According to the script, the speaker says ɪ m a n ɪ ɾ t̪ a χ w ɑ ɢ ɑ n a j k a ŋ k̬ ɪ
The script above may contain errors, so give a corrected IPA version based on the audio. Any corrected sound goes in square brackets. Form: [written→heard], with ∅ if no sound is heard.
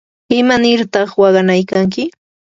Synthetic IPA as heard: ɪ m a n ɪ ɾ t̪ [a→ɑ] χ w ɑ ɢ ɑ n a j k a ŋ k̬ ɪ